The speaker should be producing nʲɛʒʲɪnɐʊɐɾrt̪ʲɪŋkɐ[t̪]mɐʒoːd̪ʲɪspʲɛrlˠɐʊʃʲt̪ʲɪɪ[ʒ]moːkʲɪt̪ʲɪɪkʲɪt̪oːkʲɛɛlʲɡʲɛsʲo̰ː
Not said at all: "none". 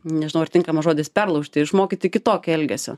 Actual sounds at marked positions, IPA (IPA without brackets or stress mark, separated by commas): none, ʃ